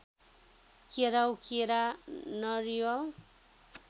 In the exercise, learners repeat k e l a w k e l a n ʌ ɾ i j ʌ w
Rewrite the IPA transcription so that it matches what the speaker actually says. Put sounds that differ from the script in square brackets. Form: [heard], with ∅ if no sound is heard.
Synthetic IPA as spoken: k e [ɾ] a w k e [ɾ] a n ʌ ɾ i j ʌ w